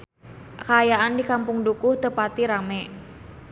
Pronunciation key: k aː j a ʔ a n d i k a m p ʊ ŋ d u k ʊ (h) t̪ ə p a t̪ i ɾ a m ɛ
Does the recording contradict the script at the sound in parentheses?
no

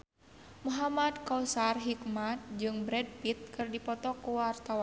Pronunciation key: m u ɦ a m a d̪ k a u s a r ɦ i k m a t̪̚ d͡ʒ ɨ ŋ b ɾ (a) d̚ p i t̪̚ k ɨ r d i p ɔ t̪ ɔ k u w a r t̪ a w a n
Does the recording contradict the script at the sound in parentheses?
yes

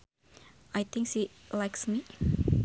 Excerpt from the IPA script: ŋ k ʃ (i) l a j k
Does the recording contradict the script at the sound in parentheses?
no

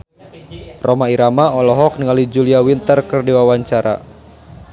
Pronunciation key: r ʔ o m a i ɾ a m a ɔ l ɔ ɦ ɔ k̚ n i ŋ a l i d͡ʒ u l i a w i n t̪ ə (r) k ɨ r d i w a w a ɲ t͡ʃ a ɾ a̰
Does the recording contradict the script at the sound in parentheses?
no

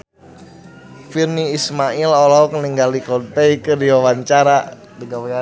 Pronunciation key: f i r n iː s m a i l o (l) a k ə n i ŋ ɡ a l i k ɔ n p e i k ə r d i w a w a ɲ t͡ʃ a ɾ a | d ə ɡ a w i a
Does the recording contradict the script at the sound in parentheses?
no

